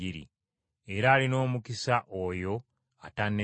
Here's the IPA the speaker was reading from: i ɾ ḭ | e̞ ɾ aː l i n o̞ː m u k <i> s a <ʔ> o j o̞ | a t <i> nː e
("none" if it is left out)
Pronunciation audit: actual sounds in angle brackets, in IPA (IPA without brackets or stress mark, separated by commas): i, ʔ, a